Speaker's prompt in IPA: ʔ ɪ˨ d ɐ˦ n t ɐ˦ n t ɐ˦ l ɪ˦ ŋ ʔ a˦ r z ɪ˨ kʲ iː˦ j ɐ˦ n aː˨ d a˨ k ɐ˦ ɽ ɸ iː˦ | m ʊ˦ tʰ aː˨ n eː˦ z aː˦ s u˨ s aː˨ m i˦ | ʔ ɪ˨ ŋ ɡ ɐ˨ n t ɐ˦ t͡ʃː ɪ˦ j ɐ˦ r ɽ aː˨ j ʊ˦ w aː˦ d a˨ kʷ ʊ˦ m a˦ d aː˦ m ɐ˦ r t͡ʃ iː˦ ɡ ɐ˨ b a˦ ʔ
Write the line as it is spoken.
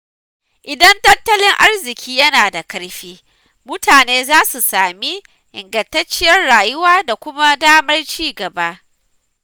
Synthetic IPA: ʔ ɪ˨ d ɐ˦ n t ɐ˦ n t ɐ˦ l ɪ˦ ŋ ʔ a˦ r z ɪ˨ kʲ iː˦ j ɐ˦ n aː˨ d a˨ k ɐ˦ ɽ ɸ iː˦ | m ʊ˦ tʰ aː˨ n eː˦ z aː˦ s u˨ s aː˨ m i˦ | ʔ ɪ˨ ŋ ɡ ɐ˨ n t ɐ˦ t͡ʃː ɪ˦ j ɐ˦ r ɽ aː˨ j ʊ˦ w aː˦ d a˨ kʷ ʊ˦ m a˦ d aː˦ m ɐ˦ r t͡ʃ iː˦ ɡ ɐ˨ b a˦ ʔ